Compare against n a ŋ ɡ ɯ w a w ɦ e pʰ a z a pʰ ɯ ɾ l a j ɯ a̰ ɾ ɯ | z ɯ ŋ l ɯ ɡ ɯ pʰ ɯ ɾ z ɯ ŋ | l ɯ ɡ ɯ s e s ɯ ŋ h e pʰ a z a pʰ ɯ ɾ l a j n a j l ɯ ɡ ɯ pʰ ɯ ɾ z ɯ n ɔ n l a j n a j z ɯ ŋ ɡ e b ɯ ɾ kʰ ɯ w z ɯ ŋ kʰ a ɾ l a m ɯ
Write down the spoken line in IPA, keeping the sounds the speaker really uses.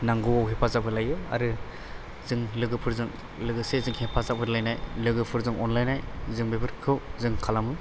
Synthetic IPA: n a ŋ ɡ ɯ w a w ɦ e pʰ a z a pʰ ɯ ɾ l a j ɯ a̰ ɾ ɯ | z ɯ ŋ l ɯ ɡ ɯ pʰ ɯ ɾ z ɯ ŋ | l ɯ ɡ ɯ s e z ɯ ŋ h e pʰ a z a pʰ ɯ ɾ l a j n a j l ɯ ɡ ɯ pʰ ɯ ɾ z ɯ ŋ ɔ n l a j n a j z ɯ ŋ b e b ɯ ɾ kʰ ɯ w z ɯ ŋ kʰ a l a m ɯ